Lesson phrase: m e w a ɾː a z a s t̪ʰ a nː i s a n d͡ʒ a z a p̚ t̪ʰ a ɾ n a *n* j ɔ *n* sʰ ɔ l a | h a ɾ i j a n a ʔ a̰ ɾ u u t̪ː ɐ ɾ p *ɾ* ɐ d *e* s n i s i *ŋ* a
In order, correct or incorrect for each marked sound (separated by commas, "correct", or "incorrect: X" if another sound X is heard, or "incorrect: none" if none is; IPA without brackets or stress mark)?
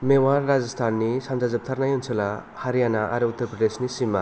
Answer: incorrect: none, correct, correct, correct, incorrect: m